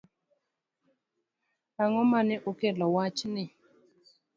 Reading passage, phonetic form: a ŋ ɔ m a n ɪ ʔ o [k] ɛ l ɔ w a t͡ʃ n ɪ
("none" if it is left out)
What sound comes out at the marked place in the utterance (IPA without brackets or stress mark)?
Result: k